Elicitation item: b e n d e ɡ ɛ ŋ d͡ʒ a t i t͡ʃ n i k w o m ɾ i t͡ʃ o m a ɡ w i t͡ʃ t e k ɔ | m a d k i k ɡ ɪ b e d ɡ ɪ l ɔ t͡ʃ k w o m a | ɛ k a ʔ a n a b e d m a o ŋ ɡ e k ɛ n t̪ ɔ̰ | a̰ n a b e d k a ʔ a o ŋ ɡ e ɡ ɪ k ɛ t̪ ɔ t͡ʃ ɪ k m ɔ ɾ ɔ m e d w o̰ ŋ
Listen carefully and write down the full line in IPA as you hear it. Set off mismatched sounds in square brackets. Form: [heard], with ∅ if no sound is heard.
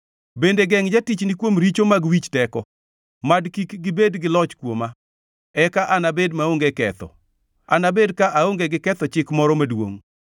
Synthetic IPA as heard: b e n d e ɡ ɛ ŋ d͡ʒ a t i t͡ʃ n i k w o m ɾ i t͡ʃ o m a ɡ w i t͡ʃ t [ɛ] k ɔ | m a d k i k ɡ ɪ b e d ɡ ɪ l ɔ t͡ʃ k w o m a | ɛ k a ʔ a n a b e d m a o ŋ ɡ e k ɛ [∅] t̪ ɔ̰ | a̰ n a b e d k a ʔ a o ŋ ɡ e ɡ ɪ k ɛ t̪ ɔ t͡ʃ ɪ k m ɔ ɾ ɔ m [a] d w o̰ ŋ